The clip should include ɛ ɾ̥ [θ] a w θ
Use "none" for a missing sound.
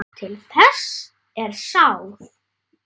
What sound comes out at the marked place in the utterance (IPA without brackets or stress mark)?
s